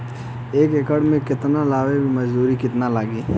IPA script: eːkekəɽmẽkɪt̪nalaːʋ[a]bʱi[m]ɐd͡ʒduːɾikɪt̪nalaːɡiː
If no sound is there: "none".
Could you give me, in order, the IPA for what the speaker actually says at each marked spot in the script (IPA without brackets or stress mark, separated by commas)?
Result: e, m